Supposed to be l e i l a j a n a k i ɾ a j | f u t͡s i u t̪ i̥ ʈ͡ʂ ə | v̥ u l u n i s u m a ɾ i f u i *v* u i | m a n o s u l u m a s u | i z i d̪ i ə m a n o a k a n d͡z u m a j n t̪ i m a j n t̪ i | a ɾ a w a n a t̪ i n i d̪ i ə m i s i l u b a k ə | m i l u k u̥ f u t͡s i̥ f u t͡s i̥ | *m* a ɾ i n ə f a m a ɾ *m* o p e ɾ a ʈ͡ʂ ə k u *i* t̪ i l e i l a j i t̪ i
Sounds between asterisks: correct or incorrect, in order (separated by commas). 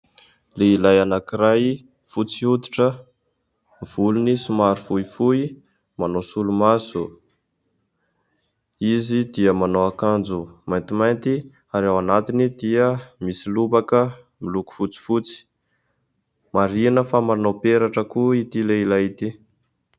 incorrect, correct, incorrect, correct